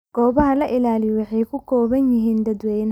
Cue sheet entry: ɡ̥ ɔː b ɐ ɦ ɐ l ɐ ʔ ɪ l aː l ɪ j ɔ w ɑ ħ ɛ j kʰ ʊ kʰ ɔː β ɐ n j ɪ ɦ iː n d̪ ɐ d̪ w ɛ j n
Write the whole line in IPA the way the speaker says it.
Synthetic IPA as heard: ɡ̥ ɔː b ɐ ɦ ɐ l ɐ ʔ ɪ l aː l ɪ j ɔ w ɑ ħ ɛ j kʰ ʊ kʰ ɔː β ɐ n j ɪ ɦ iː n d̪ ɐ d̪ w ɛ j n